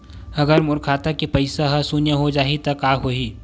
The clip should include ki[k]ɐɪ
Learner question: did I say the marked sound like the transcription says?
no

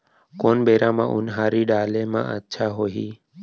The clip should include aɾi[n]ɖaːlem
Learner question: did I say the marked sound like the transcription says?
no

